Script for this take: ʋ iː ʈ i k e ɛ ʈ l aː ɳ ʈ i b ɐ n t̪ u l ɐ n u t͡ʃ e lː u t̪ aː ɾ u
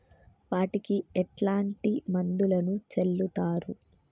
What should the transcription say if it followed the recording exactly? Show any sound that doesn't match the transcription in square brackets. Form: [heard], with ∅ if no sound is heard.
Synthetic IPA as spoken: ʋ [aː] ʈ i k [i] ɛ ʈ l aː ɳ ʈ i [m] ɐ n [d̪] u l ɐ n u t͡ʃ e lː u t̪ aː ɾ u